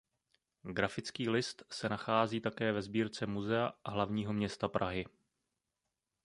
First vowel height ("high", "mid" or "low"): low